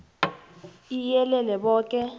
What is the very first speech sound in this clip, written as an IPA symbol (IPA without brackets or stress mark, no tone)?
i